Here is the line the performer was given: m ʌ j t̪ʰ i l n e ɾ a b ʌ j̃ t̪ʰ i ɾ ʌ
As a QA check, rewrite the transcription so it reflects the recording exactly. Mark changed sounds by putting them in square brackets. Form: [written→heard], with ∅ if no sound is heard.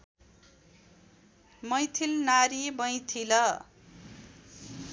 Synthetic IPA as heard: m ʌ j t̪ʰ i l n [e→a] ɾ [a→i] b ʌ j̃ t̪ʰ i [ɾ→l] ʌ